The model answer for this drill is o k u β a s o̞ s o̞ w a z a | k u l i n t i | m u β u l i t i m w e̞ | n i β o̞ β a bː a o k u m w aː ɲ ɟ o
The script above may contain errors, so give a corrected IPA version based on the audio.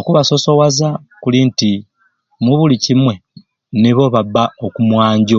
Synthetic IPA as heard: o k u β a s o̞ s o̞ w a z a | k u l i n t i | m u β u l i c i m w e̞ | n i β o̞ β a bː a o k u m w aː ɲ ɟ o